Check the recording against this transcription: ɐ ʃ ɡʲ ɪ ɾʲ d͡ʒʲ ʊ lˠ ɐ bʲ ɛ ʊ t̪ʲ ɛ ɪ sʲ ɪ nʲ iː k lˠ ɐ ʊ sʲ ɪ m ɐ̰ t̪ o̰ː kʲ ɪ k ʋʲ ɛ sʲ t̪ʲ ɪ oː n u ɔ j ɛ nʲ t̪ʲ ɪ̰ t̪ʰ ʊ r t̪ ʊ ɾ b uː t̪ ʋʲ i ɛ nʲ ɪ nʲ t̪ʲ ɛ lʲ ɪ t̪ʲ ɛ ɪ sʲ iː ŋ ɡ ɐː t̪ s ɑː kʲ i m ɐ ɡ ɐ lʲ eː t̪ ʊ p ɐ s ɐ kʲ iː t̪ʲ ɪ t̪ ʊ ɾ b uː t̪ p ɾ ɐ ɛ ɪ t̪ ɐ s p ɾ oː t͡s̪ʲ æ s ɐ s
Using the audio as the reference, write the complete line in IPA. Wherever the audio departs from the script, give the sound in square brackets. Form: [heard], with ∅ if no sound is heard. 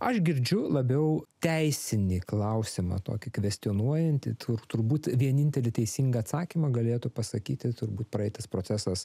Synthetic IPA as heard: ɐ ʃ ɡʲ ɪ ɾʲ d͡ʒʲ ʊ lˠ ɐ bʲ ɛ ʊ t̪ʲ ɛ ɪ sʲ ɪ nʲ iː k lˠ ɐ ʊ sʲ ɪ m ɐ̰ t̪ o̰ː kʲ ɪ k ʋʲ ɛ sʲ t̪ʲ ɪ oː n u ɔ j ɛ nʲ t̪ʲ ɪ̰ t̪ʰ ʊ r t̪ ʊ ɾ b uː t̪ ʋʲ i ɛ nʲ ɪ nʲ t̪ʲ ɛ lʲ ɪ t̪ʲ ɛ ɪ sʲ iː ŋ ɡ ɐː t̪ s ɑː kʲ i m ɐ ɡ ɐ lʲ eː t̪ ʊ p ɐ s ɐ kʲ iː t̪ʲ ɪ t̪ ʊ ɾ b uː t̪ p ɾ ɐ ɛ ɪ t̪ ɐ s p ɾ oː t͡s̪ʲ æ s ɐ s

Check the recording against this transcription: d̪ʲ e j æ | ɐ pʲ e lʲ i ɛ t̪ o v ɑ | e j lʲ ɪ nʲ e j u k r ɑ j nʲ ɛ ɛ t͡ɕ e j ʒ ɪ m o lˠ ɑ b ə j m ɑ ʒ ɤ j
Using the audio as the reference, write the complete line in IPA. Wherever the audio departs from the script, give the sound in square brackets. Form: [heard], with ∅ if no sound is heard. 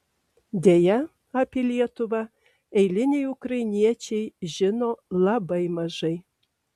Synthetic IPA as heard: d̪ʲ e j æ | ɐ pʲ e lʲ i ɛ t̪ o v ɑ | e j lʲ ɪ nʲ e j u k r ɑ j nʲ [i] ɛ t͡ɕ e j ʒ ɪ [n] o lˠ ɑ b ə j m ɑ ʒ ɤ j

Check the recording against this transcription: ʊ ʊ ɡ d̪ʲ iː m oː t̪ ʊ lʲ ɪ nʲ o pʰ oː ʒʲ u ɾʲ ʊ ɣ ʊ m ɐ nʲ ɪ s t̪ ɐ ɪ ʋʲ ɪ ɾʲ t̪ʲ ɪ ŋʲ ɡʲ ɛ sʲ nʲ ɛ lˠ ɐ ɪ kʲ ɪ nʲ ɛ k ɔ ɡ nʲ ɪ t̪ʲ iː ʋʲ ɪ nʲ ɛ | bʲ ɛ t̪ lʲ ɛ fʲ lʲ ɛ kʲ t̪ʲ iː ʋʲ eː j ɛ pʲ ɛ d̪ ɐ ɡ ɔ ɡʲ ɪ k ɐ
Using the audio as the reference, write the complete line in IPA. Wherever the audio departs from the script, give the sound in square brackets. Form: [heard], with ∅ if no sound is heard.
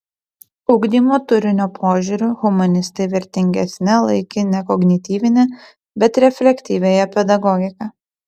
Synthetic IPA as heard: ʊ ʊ ɡ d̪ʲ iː m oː t̪ ʊ [ɾʲ] ɪ nʲ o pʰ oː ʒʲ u ɾʲ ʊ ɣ ʊ m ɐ nʲ ɪ s t̪ ɐ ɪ ʋʲ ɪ ɾʲ t̪ʲ ɪ ŋʲ ɡʲ ɛ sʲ nʲ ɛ lˠ ɐ ɪ kʲ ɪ nʲ ɛ k ɔ ɡ nʲ ɪ t̪ʲ iː ʋʲ ɪ nʲ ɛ | bʲ ɛ t̪ [ɾʲ] ɛ fʲ lʲ ɛ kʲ t̪ʲ iː ʋʲ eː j ɛ pʲ ɛ d̪ ɐ ɡ ɔ ɡʲ ɪ k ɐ

